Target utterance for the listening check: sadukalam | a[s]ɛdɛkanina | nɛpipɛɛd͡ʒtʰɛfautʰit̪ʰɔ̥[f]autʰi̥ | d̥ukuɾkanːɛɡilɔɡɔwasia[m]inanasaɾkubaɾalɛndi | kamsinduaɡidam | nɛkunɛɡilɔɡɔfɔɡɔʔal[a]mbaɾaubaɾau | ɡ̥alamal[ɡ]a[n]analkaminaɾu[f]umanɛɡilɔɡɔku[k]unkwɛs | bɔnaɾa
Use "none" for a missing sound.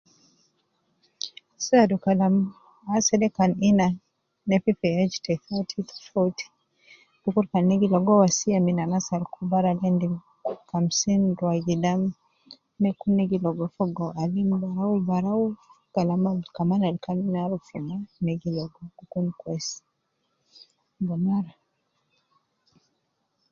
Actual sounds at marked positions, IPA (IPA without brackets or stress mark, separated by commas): s, f, m, i, k, m, f, k